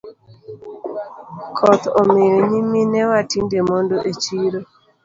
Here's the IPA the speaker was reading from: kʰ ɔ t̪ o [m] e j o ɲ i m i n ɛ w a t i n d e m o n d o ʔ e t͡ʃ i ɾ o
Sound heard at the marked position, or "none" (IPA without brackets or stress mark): m